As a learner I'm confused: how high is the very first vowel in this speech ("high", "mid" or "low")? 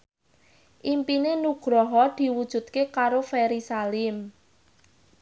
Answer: high